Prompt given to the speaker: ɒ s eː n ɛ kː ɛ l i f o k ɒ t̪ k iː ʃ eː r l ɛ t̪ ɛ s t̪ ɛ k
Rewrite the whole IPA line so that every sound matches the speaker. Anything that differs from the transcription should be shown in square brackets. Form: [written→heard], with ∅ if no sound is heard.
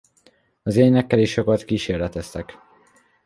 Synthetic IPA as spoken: ɒ [s→z] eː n ɛ kː ɛ l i [f→ʃ] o k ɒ t̪ k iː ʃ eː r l ɛ t̪ ɛ s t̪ ɛ k